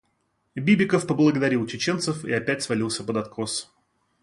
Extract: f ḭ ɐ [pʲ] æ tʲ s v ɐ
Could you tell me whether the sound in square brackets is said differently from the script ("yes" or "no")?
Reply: no